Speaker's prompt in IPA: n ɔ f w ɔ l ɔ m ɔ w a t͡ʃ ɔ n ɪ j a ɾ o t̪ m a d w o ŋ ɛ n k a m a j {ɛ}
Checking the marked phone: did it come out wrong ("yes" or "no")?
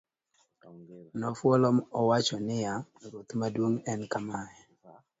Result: no